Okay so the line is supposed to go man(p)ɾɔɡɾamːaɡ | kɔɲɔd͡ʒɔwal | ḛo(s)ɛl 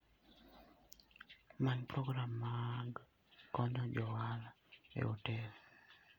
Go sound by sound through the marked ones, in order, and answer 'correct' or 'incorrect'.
correct, incorrect: t

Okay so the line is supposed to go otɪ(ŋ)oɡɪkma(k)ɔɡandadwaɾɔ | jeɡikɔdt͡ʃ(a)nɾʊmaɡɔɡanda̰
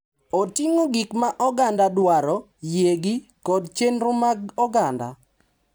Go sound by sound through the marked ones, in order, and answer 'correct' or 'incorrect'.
correct, incorrect: ʔ, incorrect: e

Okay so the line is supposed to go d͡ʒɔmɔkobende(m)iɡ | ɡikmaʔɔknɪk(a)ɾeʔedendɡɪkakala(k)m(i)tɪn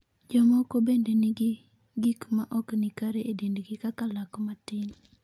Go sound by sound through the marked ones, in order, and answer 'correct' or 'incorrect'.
incorrect: n, correct, correct, incorrect: a

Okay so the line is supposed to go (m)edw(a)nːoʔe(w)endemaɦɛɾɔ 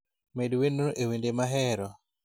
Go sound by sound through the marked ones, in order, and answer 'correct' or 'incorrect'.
correct, incorrect: e, correct

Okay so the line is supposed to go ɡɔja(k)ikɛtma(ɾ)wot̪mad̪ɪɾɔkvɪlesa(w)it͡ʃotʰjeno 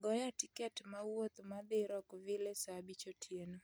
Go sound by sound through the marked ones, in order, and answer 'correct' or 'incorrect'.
incorrect: t, incorrect: none, incorrect: b

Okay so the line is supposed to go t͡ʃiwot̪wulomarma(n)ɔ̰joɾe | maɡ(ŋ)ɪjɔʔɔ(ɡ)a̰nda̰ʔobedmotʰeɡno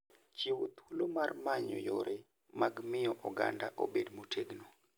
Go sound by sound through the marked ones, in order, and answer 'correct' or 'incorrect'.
incorrect: ɲ, incorrect: m, correct

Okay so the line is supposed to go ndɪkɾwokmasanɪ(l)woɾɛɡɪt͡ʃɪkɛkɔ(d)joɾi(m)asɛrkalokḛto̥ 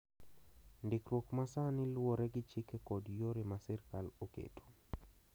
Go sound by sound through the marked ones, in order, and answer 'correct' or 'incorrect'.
correct, correct, correct

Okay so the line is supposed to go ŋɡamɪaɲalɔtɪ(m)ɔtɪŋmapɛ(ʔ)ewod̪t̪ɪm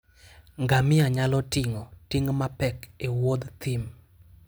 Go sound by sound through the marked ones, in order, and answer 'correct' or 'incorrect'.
incorrect: ŋ, incorrect: k

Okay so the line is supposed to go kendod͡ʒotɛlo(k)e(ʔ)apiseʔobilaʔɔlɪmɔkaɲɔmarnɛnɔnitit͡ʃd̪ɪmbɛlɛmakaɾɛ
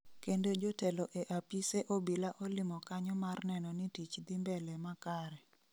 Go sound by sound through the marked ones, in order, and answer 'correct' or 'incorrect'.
incorrect: ʔ, correct

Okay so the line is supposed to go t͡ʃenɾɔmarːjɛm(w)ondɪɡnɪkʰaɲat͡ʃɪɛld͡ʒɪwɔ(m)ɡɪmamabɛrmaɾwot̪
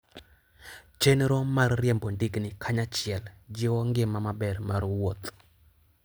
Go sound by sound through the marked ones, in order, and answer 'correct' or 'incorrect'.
incorrect: b, incorrect: ŋ

